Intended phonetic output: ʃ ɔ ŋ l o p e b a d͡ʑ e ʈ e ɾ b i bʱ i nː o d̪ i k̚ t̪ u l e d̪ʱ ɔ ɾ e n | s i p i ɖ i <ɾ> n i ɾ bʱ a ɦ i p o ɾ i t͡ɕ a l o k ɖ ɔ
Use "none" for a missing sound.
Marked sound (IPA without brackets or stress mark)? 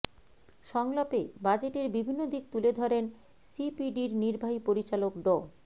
ɾ